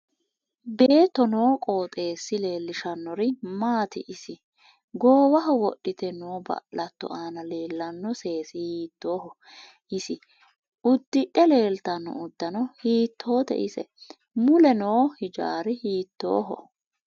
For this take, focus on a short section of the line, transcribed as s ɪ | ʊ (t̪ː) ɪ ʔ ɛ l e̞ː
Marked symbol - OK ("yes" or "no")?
no